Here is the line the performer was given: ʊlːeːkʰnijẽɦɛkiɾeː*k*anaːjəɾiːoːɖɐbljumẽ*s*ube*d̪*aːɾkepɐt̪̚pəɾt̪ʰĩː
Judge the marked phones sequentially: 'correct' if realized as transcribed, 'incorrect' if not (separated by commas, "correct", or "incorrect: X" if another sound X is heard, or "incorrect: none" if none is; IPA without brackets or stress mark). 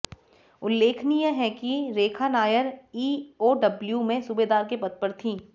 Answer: incorrect: kʰ, correct, correct